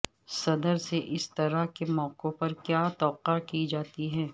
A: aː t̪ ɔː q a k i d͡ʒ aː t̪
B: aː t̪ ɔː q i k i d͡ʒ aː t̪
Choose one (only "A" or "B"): A